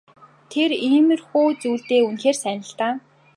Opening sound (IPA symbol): t̪ʰ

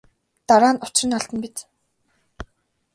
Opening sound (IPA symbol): t̪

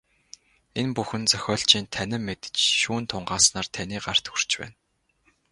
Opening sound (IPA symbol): e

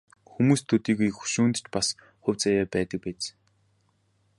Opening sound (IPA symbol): x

